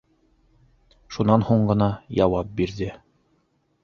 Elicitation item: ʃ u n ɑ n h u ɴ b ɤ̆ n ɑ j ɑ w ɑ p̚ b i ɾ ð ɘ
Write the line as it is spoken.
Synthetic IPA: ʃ u n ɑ n h u ɴ ɢ ɤ̆ n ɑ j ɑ w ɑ p̚ b i ɾ ð ɘ